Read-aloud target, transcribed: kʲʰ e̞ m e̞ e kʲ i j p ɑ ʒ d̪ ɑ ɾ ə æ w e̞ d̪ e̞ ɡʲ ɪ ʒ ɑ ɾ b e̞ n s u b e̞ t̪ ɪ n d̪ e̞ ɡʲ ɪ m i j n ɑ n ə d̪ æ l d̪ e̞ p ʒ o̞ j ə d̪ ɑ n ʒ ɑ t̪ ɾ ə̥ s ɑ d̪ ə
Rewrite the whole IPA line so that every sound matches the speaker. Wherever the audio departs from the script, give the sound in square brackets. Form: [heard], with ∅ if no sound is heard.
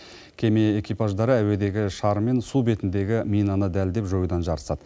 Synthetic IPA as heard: kʲʰ e̞ m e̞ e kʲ i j p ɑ ʒ d̪ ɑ ɾ ə æ w e̞ d̪ e̞ ɡʲ ɪ [ʃ] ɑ ɾ [m] e̞ n s u b e̞ t̪ ɪ n d̪ e̞ ɡʲ ɪ m i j n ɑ n ə d̪ æ l d̪ e̞ p ʒ o̞ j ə d̪ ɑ n ʒ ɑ [∅] ɾ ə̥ s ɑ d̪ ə